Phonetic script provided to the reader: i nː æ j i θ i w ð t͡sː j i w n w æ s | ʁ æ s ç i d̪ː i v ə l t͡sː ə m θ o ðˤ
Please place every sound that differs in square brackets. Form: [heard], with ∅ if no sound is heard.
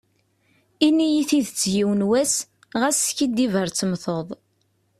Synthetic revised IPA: i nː [i] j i θ i [∅] ð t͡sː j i w n w æ s | ʁ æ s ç i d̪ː i v ə [ɾ] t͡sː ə m θ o ðˤ